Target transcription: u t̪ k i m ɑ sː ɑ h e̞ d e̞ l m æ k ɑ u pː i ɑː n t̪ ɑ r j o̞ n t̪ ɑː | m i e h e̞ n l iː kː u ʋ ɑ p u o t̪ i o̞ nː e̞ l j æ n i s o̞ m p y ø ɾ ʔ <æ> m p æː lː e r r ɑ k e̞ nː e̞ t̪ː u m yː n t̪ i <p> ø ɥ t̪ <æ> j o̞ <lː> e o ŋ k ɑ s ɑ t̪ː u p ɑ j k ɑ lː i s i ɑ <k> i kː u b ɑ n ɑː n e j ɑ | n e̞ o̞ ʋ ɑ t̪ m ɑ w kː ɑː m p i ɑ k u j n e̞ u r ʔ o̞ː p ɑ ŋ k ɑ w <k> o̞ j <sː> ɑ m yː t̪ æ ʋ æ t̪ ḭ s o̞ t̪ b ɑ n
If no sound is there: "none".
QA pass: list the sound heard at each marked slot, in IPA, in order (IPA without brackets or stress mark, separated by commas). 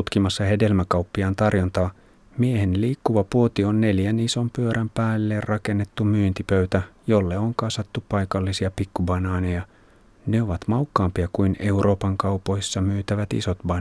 æ, p, æ, lː, p, p, sː